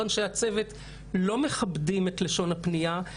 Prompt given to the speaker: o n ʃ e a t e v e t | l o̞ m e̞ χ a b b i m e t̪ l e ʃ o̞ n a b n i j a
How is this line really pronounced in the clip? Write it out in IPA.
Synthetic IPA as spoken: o n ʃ e a t͡s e v e t | l o̞ m e̞ χ a b d i m e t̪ l e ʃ o̞ n a p n i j a